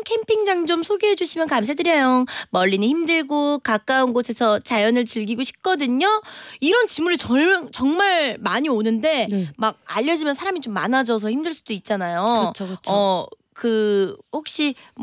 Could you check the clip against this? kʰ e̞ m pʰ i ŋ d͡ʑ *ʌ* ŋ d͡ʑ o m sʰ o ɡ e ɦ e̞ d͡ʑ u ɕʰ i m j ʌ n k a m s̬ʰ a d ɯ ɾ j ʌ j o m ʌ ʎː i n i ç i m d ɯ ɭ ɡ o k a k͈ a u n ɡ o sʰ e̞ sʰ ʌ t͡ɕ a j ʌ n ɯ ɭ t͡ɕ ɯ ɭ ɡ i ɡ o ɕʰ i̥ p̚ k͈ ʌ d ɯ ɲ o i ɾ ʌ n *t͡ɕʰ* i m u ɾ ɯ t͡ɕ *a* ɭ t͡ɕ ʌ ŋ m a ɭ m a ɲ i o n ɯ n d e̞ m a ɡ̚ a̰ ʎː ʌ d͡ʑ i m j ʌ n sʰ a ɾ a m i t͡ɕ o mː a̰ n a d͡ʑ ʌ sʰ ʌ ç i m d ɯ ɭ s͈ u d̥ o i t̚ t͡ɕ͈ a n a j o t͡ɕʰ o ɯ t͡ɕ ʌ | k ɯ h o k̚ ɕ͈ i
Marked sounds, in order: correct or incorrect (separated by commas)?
incorrect, incorrect, incorrect